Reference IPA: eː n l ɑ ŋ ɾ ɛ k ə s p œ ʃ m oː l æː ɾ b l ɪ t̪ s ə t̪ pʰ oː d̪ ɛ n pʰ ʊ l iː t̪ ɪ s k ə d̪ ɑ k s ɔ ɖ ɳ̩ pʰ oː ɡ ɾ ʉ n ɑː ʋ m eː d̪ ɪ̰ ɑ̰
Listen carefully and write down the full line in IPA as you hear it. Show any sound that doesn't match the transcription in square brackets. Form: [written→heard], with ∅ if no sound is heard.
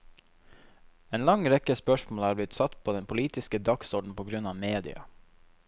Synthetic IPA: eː n l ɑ ŋ ɾ ɛ k ə s p œ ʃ m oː l æː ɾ b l ɪ t̪ s [ə→ɑ] t̪ pʰ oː d̪ ɛ n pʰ ʊ l iː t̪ ɪ s k ə d̪ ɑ k s ɔ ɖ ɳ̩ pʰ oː ɡ ɾ ʉ n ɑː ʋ m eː d̪ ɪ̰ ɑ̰